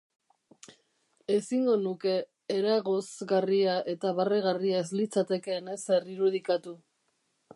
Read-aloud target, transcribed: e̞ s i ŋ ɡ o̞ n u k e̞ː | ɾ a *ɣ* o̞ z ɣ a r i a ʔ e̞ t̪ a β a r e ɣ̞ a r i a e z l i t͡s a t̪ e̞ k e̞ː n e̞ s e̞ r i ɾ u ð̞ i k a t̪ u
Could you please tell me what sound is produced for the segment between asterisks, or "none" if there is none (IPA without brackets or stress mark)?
ɣ